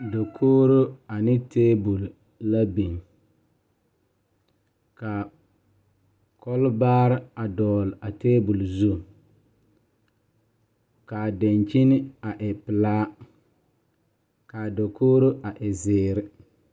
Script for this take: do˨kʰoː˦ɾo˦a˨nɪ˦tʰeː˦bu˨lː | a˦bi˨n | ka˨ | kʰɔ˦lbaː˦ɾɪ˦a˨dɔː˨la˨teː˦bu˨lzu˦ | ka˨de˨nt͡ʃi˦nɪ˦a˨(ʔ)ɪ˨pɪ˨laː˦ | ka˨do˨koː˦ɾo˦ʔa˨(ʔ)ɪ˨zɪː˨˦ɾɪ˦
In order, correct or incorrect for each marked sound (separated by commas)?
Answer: correct, correct